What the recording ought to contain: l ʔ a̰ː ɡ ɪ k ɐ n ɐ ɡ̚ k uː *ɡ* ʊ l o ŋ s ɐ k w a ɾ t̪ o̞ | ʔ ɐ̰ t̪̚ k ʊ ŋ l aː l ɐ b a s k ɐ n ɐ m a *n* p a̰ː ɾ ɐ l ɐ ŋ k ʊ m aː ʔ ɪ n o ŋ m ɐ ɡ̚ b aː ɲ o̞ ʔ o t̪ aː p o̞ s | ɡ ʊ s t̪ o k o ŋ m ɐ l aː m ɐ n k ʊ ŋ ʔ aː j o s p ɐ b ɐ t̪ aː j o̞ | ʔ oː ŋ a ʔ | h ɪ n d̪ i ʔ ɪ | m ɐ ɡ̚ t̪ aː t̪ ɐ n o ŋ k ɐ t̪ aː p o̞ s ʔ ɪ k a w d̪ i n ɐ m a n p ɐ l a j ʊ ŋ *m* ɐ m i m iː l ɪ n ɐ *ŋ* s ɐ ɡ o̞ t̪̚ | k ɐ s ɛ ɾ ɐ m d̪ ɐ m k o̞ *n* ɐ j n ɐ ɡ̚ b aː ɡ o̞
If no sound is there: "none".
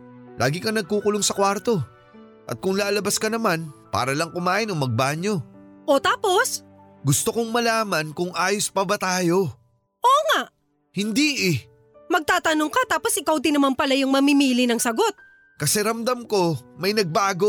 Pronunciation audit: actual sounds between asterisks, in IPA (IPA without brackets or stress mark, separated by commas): k, n, m, ŋ, m